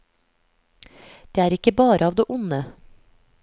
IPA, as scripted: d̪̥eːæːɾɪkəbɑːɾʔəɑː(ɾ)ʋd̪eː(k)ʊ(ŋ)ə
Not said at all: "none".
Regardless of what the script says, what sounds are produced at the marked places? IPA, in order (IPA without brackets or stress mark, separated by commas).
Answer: none, ʔ, n